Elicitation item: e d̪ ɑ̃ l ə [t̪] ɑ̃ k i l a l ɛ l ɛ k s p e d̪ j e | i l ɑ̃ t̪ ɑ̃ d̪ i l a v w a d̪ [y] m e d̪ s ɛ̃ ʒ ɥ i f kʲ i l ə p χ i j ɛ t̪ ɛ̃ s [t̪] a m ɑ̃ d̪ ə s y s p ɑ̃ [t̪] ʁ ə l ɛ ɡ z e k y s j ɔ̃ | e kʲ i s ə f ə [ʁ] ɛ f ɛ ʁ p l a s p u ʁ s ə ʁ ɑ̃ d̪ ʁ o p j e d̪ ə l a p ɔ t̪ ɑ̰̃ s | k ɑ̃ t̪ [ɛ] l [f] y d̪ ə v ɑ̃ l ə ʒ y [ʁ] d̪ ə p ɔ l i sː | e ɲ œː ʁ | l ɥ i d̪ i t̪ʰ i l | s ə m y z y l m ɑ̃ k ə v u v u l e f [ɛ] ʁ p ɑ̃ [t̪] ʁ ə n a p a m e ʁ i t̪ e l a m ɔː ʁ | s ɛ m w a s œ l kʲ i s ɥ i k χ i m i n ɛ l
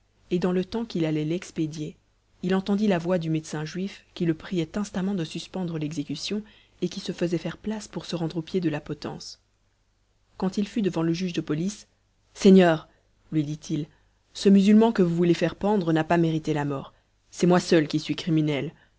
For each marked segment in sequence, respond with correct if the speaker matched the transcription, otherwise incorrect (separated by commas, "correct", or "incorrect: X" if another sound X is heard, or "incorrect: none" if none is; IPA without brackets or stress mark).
correct, correct, correct, incorrect: d̪, incorrect: z, incorrect: i, correct, incorrect: ʒ, correct, incorrect: d̪